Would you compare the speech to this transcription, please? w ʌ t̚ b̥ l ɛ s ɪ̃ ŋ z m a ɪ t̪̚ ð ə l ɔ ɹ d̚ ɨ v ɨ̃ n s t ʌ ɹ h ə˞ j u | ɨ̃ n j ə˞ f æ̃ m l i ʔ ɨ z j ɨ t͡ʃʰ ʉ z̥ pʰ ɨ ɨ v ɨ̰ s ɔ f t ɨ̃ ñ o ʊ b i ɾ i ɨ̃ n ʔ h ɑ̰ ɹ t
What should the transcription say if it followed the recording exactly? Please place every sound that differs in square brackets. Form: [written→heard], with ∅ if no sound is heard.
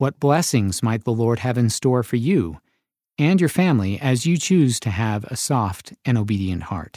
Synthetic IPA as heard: w ʌ t̚ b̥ l ɛ s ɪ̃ ŋ z m a ɪ t̪̚ ð ə l ɔ ɹ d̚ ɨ v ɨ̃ n s t [ʌ→ɔ] ɹ [h→f] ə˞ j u | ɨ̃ n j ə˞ f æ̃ m l i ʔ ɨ z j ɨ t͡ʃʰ ʉ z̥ [pʰ→tʰ] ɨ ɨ v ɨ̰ s ɔ f t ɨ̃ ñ o ʊ b i ɾ i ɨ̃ n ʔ h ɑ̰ ɹ t